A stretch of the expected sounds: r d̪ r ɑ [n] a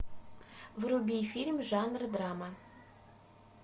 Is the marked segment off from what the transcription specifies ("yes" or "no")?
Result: yes